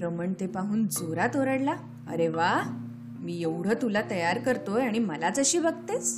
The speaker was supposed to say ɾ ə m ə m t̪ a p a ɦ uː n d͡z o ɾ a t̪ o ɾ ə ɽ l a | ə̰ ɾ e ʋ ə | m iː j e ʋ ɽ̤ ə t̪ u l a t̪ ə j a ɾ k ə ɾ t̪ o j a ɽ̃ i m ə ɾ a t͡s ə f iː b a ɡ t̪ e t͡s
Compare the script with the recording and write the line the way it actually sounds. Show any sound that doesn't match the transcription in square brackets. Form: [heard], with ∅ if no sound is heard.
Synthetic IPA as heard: ɾ ə m ə [ɳ] t̪ [e] p a ɦ uː n d͡z o ɾ a t̪ o ɾ ə ɽ l a | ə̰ ɾ e ʋ [a] | m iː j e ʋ ɽ̤ ə t̪ u l a t̪ ə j a ɾ k ə ɾ t̪ o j a ɽ̃ i m ə [l] a t͡s ə [ɕ] iː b [ə] ɡ t̪ e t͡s